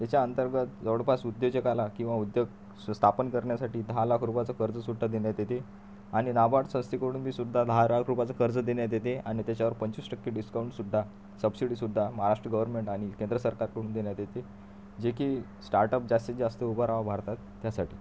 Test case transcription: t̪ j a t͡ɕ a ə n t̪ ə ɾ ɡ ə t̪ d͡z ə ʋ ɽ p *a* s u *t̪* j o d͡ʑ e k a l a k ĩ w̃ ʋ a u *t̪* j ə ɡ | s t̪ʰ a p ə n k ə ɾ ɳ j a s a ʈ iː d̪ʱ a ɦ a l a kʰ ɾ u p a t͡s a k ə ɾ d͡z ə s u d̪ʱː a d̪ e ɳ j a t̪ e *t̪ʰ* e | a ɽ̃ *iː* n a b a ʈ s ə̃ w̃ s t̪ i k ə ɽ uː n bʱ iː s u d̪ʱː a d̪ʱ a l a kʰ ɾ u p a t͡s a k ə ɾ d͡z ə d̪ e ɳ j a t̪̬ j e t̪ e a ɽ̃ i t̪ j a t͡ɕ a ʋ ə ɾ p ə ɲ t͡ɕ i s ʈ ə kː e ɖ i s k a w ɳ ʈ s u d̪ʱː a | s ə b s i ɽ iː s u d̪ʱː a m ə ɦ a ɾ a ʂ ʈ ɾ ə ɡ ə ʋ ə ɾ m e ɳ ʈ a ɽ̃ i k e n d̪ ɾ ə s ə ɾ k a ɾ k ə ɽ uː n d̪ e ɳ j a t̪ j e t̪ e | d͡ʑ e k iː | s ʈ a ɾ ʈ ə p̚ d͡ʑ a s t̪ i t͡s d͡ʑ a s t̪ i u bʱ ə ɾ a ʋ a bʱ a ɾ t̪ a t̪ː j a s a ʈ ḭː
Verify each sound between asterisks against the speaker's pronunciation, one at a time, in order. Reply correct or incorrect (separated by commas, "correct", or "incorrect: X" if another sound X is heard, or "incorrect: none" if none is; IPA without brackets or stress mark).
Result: correct, incorrect: d̪, incorrect: d̪, incorrect: t̪, incorrect: i